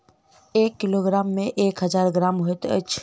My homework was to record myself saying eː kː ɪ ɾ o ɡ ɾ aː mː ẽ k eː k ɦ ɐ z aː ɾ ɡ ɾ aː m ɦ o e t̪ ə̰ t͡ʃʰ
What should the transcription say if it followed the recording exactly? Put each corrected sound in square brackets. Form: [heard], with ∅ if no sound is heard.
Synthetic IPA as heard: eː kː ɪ [l] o ɡ ɾ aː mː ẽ [ʔ] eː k ɦ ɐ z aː ɾ ɡ ɾ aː m ɦ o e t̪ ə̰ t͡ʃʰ